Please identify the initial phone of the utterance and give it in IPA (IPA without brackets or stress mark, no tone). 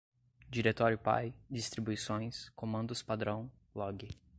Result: d͡ʒ